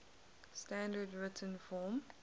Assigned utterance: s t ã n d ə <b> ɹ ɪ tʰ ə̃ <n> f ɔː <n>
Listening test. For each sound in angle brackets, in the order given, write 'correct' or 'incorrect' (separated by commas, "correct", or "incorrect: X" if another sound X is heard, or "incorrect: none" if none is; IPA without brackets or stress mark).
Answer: incorrect: d, correct, incorrect: m